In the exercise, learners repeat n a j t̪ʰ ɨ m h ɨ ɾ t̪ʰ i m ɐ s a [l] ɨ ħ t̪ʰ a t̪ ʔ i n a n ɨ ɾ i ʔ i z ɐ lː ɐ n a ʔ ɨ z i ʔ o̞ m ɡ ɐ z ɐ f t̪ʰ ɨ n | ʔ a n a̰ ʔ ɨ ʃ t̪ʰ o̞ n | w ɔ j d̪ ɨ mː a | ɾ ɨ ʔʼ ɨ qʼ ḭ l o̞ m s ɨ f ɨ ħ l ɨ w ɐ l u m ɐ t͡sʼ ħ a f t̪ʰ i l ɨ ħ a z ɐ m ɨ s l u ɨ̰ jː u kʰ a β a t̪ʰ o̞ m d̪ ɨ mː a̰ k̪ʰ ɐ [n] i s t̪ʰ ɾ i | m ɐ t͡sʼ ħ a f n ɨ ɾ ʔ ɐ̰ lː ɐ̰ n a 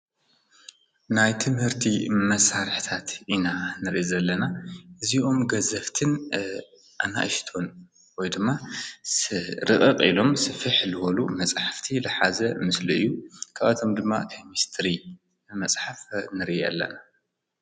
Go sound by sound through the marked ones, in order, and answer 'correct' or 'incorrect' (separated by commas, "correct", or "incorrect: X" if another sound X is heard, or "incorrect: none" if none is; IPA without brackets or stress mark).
incorrect: ɾ, incorrect: m